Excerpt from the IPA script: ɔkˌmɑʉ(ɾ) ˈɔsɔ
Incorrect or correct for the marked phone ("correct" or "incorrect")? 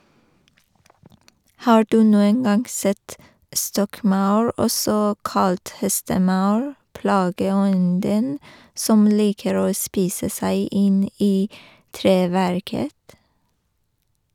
incorrect